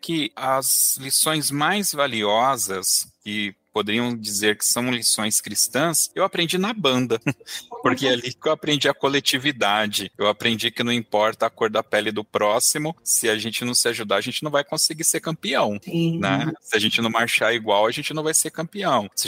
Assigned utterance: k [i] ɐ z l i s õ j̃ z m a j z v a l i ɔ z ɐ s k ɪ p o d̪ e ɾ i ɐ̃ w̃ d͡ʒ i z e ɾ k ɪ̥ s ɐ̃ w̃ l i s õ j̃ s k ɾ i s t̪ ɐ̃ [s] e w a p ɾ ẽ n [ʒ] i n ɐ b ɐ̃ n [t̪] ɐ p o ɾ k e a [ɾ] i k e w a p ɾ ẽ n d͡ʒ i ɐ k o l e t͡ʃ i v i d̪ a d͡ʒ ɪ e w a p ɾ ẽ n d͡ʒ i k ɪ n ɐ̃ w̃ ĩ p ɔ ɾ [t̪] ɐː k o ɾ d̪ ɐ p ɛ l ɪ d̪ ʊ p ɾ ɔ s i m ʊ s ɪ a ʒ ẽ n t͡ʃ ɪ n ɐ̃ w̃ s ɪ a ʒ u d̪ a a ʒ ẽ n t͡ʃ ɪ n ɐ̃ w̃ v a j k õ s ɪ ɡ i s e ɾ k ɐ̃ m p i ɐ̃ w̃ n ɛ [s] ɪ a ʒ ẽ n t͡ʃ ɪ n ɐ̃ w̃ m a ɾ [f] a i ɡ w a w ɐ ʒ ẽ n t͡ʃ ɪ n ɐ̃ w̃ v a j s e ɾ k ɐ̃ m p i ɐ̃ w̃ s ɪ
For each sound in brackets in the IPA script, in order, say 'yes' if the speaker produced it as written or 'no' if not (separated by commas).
no, yes, no, no, no, yes, yes, no